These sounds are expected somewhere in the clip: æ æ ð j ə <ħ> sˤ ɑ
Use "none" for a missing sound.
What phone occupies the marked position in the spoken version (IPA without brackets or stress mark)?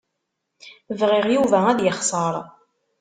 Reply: χ